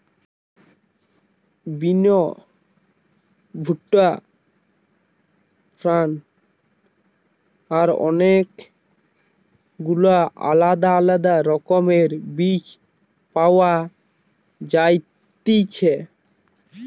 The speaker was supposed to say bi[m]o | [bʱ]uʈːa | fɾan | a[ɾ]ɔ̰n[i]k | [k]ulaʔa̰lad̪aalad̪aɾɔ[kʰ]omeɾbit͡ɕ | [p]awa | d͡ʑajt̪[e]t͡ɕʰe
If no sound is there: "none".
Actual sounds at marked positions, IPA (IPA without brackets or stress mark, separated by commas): n, bʱ, ɾ, e, ɡ, k, p, i